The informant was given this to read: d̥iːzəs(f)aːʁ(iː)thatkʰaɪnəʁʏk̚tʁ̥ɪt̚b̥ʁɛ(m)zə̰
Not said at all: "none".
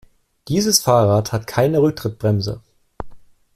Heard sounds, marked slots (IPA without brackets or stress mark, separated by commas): f, aː, m